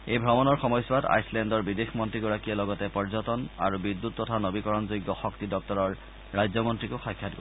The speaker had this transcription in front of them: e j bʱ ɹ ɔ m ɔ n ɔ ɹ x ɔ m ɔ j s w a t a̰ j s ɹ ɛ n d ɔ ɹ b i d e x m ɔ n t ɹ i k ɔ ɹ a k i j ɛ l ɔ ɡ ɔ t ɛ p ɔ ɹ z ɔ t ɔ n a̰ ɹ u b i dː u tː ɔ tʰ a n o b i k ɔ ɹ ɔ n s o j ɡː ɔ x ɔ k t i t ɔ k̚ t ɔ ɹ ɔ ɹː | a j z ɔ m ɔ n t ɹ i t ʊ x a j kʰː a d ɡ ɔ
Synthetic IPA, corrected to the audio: e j bʱ ɹ ɔ m ɔ n ɔ ɹ x ɔ m ɔ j s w a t a̰ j s l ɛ n d ɔ ɹ b i d e x m ɔ n t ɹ i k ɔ ɹ a k i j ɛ l ɔ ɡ ɔ t ɛ p ɔ ɹ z ɔ t ɔ n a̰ ɹ u b i dː u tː ɔ tʰ a n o b i k ɔ ɹ ɔ n z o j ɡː ɔ x ɔ k t i d ɔ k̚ t ɔ ɹ ɔ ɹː | a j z ɔ m ɔ n t ɹ i k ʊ x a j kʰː a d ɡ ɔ